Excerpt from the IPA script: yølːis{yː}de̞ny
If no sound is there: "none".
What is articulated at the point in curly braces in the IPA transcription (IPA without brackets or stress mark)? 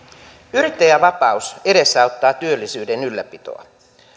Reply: yː